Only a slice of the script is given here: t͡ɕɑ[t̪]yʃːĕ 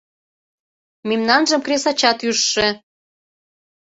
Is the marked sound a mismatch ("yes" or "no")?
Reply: no